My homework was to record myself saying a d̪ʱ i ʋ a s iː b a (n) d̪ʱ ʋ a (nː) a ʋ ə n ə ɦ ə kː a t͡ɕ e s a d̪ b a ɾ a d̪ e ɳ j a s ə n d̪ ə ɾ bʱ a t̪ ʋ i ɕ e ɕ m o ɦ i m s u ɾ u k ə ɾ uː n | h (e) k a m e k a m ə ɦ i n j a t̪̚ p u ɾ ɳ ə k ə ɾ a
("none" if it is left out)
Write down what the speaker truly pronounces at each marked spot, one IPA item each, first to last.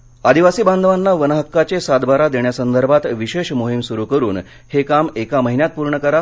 n, nː, e

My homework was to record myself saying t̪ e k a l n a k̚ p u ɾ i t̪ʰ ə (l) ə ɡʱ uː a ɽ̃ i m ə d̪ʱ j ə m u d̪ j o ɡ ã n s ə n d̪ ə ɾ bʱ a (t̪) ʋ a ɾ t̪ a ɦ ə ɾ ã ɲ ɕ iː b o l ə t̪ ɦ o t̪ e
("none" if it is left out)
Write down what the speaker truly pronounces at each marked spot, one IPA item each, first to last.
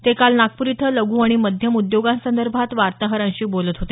l, t̪

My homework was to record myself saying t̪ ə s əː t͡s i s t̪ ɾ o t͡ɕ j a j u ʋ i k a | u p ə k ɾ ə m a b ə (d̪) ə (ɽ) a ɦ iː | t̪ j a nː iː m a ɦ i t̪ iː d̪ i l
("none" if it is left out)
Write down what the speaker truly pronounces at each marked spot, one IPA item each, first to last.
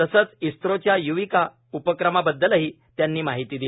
d̪ː, l

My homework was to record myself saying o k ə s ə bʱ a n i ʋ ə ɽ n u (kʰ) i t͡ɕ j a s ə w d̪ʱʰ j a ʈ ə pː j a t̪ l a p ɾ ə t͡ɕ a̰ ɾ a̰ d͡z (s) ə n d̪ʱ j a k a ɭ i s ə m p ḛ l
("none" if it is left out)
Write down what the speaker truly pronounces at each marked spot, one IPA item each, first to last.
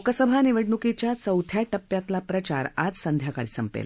k, s

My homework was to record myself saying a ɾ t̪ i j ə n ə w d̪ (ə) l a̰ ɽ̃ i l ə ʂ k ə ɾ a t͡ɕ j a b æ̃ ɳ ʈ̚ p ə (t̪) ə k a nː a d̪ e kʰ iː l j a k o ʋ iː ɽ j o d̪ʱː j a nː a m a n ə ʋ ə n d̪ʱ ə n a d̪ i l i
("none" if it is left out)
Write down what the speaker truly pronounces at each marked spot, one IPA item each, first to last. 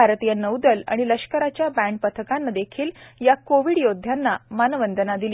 ə, t̪ʰ

